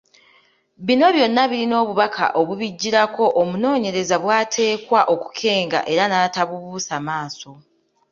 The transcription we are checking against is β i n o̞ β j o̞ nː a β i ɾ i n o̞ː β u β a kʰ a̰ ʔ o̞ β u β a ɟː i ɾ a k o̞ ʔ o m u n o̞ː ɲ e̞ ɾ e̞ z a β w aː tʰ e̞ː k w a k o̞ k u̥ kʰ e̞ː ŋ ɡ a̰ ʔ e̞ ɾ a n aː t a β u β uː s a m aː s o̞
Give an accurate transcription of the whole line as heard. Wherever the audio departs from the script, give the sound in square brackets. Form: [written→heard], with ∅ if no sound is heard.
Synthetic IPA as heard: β i n o̞ β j o̞ nː a β i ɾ i n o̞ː β u β a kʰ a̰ ʔ o̞ β u β [a→i] ɟː i ɾ a k o̞ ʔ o m u n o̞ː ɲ e̞ ɾ e̞ z a β w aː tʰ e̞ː k w a [k→ʔ] o̞ k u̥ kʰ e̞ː ŋ ɡ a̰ ʔ e̞ ɾ a n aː t a β u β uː s a m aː s o̞